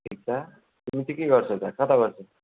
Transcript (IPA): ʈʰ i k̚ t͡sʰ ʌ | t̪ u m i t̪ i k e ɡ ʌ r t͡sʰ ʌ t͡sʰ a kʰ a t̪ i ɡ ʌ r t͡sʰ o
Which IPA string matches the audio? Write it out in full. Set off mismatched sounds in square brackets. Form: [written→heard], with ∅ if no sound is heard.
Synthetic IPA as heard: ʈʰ i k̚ t͡sʰ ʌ | t̪ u m i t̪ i k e ɡ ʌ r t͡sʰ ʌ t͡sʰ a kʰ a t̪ [i→a] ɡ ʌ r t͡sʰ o